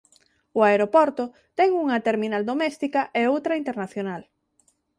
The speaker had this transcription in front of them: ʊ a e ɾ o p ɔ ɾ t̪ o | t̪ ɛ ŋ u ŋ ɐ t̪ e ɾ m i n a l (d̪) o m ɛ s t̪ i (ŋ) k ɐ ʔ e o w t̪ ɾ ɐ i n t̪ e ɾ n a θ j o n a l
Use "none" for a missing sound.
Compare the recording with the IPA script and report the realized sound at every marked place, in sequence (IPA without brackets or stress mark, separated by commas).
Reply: d̪, none